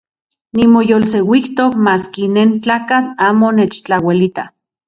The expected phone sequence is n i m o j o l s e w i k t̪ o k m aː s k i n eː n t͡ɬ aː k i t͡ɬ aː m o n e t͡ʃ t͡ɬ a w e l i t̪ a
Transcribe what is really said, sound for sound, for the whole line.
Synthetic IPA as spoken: n i m o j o l s e w i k t̪ o k m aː s k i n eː n t͡ɬ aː k a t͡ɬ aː m o n e t͡ʃ t͡ɬ a w e l i t̪ a